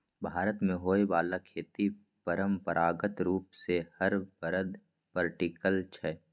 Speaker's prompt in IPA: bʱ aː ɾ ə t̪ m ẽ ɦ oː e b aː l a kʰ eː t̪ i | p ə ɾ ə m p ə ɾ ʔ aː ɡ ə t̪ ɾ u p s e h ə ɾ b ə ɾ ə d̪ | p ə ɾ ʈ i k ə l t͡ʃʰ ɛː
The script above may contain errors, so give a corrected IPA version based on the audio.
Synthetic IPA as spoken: bʱ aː ɾ ə t̪ m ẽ ɦ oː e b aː l a kʰ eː t̪ i | p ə ɾ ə m p ə ɾ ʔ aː ɡ ə t̪ ɾ uː p s e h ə ɾ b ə ɾ ə d̪ | p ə ɾ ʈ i k ə l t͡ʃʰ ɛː